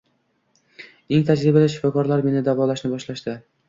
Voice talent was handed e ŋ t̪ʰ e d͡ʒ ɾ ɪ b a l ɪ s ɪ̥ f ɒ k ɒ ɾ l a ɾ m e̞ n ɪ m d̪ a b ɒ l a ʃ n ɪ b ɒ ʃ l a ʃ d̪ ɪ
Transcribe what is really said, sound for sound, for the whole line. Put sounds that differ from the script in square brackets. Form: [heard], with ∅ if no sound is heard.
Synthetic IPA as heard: e ŋ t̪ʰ [a] d͡ʒ ɾ ɪ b a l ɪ [ʃ] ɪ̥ f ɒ k ɒ ɾ l a ɾ m e̞ n ɪ [∅] d̪ a [v] ɒ l a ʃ n ɪ b ɒ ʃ l a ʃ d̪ ɪ